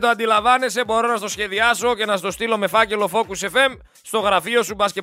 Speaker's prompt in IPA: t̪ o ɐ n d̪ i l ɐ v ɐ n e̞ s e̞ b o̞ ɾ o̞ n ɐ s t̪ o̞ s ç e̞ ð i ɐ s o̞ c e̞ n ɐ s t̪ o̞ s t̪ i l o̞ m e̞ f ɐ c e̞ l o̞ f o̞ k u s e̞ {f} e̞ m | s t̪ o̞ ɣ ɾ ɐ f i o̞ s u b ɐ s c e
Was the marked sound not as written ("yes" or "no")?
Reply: no